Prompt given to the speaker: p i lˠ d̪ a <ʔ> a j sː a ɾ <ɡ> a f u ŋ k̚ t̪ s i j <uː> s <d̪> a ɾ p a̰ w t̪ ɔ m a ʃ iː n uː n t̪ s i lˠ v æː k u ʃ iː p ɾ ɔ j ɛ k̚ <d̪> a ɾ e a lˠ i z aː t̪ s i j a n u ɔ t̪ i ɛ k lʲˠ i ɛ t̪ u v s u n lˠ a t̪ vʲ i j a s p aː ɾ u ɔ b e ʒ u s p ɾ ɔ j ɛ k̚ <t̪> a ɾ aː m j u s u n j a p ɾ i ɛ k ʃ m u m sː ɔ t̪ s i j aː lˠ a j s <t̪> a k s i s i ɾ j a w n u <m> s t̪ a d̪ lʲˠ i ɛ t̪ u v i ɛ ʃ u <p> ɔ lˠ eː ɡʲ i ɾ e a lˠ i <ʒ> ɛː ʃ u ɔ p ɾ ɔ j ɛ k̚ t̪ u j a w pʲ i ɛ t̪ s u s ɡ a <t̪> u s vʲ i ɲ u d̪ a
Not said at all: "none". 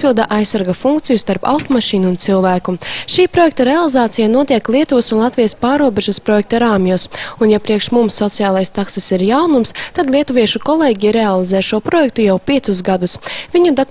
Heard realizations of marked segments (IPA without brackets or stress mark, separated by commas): ʔ, ɡ, u, t̪, t̪, t̪, t̪, m, k, z, d̪